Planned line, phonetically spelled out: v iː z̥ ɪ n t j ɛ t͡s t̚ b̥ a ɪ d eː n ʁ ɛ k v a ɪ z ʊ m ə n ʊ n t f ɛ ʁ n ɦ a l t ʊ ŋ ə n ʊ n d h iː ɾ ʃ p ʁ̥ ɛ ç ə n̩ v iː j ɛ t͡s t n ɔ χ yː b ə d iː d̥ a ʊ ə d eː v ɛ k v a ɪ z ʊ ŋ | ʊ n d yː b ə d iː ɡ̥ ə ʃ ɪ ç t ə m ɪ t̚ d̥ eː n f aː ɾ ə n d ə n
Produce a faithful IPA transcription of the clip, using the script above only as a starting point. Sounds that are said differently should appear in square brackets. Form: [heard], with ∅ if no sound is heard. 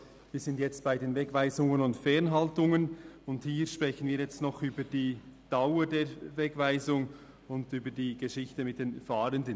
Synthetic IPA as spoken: v iː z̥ ɪ n t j ɛ t͡s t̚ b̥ a ɪ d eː n [v] ɛ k v a ɪ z ʊ [ŋ] ə n ʊ n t f ɛ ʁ n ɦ a l t ʊ ŋ ə n ʊ n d h iː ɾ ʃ p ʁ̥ ɛ ç ə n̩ v iː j ɛ t͡s t n ɔ χ yː b ə d iː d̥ a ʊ ə d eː v ɛ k v a ɪ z ʊ ŋ | ʊ n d yː b ə d iː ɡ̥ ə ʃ ɪ ç t ə m ɪ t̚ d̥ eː n f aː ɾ ə n d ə n